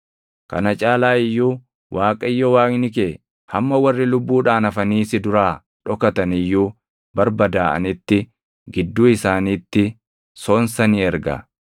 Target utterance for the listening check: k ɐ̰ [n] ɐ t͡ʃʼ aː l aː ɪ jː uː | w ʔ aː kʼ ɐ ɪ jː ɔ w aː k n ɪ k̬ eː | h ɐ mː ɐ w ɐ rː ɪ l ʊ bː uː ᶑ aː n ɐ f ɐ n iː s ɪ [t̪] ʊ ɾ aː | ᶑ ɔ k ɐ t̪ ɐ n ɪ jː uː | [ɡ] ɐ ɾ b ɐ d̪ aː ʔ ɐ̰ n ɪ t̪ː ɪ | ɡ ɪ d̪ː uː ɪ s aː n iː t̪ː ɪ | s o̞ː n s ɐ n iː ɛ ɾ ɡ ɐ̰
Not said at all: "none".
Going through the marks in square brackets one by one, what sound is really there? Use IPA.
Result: n, d̪, b

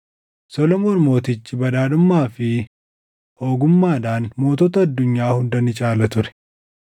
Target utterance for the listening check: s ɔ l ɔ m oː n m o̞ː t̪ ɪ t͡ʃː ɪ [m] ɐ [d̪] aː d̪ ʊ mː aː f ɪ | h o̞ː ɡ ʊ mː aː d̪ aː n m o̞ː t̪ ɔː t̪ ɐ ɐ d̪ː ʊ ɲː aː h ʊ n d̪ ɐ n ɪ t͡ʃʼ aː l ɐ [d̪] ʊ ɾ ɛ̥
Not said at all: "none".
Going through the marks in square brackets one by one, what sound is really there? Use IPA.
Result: b, d̪, t̪

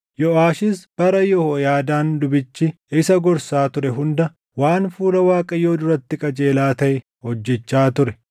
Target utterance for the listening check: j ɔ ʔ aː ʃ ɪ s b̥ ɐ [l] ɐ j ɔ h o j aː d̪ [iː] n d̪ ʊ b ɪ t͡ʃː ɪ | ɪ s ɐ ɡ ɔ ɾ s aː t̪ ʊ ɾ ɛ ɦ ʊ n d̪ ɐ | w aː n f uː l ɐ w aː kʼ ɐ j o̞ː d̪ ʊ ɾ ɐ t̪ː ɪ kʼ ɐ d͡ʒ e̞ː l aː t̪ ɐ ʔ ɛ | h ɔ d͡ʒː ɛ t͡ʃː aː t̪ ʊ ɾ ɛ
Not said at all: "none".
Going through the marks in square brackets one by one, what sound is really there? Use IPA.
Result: ɾ, aː

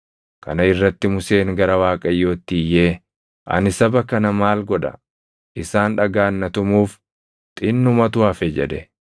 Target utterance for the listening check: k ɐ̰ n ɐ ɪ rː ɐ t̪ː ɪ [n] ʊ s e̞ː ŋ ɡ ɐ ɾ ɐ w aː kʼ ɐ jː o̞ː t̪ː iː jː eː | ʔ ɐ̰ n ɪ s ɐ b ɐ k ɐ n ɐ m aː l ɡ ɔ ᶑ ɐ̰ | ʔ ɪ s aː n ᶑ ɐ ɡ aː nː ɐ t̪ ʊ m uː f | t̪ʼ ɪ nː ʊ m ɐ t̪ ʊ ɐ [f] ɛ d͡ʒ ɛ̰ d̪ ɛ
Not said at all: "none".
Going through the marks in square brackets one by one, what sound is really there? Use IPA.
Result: m, f

